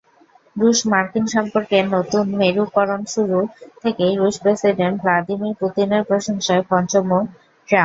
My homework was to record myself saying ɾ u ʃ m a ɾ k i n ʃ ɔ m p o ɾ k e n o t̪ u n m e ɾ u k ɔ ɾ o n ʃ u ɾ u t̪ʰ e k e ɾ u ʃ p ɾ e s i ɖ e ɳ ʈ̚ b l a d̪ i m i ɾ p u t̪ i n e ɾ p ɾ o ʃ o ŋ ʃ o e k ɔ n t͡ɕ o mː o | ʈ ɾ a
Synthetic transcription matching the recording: ɾ u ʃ m a ɾ k i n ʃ ɔ m p o ɾ k e n o t̪ u n m e ɾ u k ɔ ɾ o n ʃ u ɾ u t̪ʰ e k e ɾ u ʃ p ɾ e s i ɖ e ɳ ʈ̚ b l a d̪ i m i ɾ p u t̪ i n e ɾ p ɾ o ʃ o ŋ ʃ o e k ɔ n t͡ɕ o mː o | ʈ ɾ a